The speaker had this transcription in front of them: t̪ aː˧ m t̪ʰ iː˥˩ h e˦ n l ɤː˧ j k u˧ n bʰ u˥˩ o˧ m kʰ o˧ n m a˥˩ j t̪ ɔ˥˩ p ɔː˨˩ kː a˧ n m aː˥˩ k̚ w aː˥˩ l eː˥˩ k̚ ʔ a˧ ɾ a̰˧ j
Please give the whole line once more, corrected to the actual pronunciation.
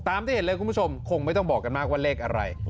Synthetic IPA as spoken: t̪ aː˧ m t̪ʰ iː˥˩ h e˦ n l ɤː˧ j k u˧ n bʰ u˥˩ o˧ m kʰ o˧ ŋ m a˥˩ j t̪ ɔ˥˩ b ɔː˨˩ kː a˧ n m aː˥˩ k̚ w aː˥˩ l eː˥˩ k̚ ʔ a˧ ɾ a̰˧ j